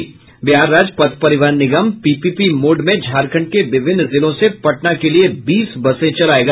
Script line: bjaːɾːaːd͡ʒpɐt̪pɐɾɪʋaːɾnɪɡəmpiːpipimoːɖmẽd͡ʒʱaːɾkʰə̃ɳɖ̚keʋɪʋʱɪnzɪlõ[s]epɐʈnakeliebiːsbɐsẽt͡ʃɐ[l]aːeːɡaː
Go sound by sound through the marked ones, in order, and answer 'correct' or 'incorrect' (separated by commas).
correct, correct